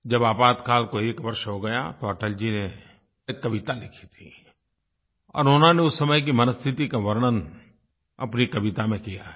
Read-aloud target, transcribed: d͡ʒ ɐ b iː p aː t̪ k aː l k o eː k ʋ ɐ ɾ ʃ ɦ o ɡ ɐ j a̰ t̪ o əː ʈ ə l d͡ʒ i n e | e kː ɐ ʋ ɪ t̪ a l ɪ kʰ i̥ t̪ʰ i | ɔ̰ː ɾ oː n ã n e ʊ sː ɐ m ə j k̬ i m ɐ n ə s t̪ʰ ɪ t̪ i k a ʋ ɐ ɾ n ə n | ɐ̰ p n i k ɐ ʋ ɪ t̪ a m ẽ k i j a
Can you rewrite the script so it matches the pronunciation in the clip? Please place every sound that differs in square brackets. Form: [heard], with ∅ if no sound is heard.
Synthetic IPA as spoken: d͡ʒ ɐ b [aː] p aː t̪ k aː l k o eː k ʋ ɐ ɾ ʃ ɦ o ɡ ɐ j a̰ t̪ o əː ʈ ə l d͡ʒ i n e | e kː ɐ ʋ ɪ t̪ a l ɪ kʰ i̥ t̪ʰ i | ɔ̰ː ɾ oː n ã n e ʊ sː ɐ m ə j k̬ i m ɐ n ə s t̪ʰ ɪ t̪ i k a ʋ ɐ ɾ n ə n | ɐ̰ p n i k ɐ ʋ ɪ t̪ a m ẽ k i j a